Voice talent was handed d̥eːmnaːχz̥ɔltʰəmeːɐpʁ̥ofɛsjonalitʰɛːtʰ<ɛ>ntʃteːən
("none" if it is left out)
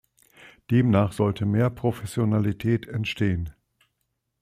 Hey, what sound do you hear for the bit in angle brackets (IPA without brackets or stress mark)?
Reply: ɛ